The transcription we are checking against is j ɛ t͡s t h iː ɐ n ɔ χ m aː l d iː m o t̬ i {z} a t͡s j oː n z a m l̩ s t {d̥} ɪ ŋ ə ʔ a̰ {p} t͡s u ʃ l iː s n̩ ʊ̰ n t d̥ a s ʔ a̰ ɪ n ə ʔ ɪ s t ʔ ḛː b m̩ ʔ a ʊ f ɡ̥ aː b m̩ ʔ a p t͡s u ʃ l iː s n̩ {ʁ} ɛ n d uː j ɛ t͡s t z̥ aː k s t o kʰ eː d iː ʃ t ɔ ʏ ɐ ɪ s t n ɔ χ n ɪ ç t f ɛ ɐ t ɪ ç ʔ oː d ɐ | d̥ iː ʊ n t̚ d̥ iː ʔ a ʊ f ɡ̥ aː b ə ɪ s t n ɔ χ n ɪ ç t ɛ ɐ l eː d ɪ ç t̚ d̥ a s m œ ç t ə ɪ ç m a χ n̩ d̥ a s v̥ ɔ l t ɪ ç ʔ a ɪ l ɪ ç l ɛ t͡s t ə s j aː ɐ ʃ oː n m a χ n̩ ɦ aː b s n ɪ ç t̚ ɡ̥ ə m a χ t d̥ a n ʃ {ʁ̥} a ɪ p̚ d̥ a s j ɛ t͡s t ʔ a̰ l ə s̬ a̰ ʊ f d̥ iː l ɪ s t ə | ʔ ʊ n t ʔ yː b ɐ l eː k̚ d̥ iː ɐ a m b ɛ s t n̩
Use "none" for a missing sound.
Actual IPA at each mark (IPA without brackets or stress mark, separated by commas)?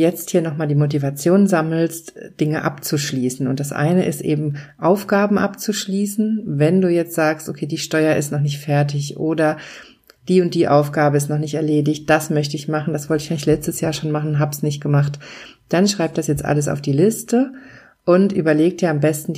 v, d̥, p, v, ʁ̥